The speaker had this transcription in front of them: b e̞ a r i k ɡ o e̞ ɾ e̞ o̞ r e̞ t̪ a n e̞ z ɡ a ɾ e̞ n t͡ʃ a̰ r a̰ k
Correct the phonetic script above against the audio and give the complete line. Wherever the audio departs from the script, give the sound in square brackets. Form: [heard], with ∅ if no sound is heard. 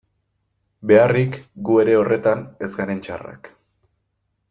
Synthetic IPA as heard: b e̞ a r i k ɡ [u] e̞ ɾ e̞ o̞ r e̞ t̪ a n e̞ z ɡ a ɾ e̞ n t͡ʃ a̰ r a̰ k